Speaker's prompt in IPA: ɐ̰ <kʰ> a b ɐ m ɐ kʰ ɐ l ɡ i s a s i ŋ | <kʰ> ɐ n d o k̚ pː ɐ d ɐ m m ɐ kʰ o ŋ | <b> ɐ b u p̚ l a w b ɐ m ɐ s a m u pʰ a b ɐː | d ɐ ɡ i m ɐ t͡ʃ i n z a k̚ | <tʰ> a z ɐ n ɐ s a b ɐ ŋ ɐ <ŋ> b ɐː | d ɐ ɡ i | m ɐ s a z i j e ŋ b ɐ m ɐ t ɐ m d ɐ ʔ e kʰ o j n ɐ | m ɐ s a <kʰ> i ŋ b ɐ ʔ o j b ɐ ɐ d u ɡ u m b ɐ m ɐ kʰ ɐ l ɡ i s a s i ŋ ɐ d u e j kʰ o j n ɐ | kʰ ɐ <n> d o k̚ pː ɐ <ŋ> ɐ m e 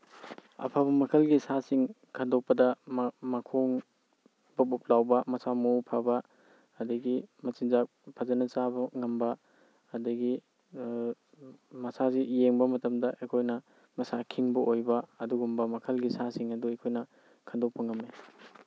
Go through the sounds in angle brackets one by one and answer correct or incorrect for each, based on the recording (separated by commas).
incorrect, correct, correct, incorrect, incorrect, correct, correct, correct